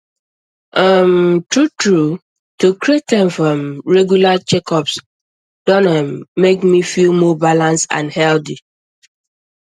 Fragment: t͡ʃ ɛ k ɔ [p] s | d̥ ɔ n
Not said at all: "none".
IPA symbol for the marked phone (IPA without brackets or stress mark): p